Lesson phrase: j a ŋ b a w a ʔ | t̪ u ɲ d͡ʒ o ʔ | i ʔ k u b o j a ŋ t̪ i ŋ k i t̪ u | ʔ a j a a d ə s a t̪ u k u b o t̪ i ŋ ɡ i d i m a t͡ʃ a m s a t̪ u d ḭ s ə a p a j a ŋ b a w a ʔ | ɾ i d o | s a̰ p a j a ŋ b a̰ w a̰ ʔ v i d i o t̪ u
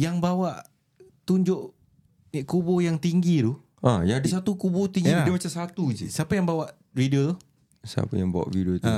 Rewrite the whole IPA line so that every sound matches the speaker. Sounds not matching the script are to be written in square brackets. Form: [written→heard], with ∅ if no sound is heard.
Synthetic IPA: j a ŋ b a w a ʔ | t̪ u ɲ d͡ʒ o ʔ | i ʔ k u b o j a ŋ t̪ i ŋ [k→ɡ] i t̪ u | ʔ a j a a d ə s a t̪ u k u b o t̪ i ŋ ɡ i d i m a t͡ʃ a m s a t̪ u [d→d͡ʒ] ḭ s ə a p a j a ŋ b a w a ʔ | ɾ i d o | s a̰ p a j a ŋ b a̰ w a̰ ʔ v i d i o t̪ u